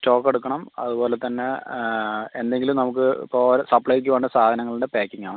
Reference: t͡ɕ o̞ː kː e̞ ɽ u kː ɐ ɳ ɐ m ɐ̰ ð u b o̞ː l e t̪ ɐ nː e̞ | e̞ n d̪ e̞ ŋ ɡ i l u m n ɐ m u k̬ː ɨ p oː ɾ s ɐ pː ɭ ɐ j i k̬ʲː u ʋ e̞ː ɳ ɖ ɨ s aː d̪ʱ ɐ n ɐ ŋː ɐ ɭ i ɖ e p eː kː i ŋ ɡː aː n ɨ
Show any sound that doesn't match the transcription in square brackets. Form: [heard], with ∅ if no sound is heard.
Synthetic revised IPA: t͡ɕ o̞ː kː e̞ ɽ u kː ɐ ɳ ɐ m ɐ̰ ð u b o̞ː l e t̪ ɐ nː e̞ | e̞ n d̪ e̞ ŋ ɡ i l u m n ɐ m u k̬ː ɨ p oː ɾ s ɐ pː ɭ ɐ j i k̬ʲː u ʋ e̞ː ɳ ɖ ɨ s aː d̪ʱ ɐ n ɐ ŋː ɐ ɭ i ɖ e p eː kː i ŋ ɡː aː [ɳ] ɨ